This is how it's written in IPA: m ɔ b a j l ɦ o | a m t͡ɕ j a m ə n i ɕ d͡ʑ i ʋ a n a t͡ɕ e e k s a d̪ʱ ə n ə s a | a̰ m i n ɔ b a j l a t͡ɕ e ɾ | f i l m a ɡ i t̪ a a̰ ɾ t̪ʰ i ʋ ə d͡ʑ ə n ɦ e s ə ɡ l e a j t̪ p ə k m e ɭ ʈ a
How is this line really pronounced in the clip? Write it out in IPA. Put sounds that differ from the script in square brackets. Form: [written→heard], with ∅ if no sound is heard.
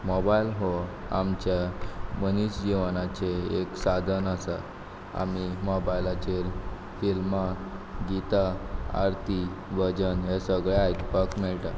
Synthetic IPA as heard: m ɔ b a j l ɦ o | a m t͡ɕ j a m ə n i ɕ d͡ʑ i ʋ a n a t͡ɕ e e k s a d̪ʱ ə n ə s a | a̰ m i [n→m] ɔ b a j l a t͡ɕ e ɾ | f i l m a ɡ i t̪ a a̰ ɾ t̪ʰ i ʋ ə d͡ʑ ə n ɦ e s ə ɡ [l→ɭ] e a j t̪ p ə k m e ɭ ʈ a